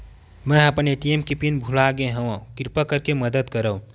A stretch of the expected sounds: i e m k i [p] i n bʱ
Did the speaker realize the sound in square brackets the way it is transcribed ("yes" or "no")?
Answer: yes